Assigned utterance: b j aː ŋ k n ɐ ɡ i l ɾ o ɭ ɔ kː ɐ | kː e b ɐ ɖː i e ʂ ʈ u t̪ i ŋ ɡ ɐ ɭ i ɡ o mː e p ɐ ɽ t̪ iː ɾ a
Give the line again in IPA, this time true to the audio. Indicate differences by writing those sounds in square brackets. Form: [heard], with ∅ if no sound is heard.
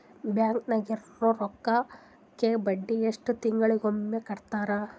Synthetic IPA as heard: b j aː ŋ k n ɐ ɡ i [ɾ] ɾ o [ɾ] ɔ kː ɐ | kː e b ɐ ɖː i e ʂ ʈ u t̪ i ŋ ɡ ɐ ɭ i ɡ o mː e [k] ɐ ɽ t̪ [aː] ɾ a